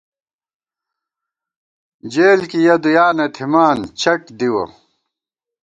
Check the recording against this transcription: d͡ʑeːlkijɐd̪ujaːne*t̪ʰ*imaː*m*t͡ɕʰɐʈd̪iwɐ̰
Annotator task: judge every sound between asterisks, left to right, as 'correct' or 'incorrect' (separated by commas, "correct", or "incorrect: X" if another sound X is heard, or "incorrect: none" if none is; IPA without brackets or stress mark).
correct, incorrect: n